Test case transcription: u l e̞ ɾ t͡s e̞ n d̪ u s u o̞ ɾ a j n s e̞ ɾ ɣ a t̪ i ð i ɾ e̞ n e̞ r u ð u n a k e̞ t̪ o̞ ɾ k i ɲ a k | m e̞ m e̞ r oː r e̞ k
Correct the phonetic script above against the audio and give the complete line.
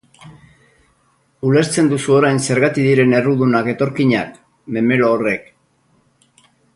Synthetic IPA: u l e̞ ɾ t͡s e̞ n d̪ u s u o̞ ɾ a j n s e̞ ɾ ɣ a t̪ i ð i ɾ e̞ n e̞ r u ð u n a k e̞ t̪ o̞ ɾ k i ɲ a k | m e̞ m e̞ l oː r e̞ k